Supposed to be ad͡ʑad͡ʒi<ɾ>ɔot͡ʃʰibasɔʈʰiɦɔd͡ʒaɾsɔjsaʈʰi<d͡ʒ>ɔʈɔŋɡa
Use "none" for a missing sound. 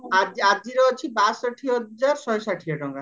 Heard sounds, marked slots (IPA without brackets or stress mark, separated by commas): ɾ, none